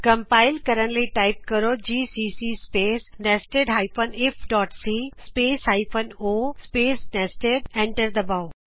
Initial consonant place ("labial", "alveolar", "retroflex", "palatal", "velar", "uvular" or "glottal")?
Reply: velar